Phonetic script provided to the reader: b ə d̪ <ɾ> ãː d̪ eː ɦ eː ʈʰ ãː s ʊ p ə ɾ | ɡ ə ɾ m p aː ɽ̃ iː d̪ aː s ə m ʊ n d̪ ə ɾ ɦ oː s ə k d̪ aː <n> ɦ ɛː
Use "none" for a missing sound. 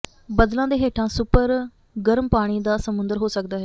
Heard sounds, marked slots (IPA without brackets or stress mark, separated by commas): l, none